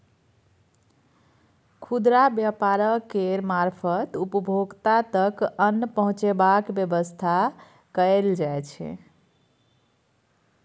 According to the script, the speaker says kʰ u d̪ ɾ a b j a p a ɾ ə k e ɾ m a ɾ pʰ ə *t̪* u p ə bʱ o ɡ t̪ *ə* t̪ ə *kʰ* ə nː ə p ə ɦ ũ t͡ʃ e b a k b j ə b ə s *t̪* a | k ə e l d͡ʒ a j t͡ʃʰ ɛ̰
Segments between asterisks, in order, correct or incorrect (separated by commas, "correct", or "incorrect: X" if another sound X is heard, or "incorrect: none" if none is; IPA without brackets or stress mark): correct, incorrect: a, incorrect: k, incorrect: t̪ʰ